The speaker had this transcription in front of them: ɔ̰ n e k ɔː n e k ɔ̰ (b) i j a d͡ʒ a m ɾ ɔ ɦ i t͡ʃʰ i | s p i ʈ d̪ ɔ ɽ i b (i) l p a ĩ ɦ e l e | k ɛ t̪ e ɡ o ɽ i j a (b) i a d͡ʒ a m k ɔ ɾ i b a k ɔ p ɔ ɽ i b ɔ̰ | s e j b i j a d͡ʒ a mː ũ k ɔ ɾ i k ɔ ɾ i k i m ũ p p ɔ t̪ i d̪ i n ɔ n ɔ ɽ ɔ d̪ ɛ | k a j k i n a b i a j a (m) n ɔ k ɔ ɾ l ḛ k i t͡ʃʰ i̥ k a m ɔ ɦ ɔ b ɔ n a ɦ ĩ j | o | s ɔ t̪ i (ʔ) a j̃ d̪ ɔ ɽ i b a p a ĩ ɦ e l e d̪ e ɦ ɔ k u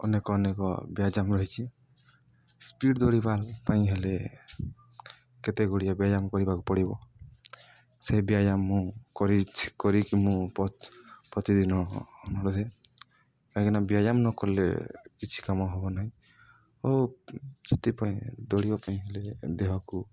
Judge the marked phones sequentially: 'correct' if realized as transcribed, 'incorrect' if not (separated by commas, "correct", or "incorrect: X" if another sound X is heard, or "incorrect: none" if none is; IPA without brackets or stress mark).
correct, incorrect: a, correct, correct, incorrect: p